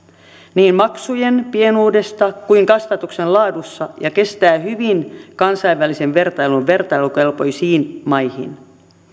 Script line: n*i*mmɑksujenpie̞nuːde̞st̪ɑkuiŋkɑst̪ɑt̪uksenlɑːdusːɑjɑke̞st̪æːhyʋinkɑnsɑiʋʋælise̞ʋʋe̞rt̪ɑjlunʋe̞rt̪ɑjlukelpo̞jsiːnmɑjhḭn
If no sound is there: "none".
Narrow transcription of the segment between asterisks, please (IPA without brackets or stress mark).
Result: iː